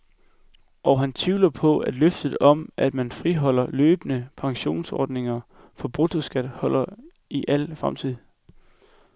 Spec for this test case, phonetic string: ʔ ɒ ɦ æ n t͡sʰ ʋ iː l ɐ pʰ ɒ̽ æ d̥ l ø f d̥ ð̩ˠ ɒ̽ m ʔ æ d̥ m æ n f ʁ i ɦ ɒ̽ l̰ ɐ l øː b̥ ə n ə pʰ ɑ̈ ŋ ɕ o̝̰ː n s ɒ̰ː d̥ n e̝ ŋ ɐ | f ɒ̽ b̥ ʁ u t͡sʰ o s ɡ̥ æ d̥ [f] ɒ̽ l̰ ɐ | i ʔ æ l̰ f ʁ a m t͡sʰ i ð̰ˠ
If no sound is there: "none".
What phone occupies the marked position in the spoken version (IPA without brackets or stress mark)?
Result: h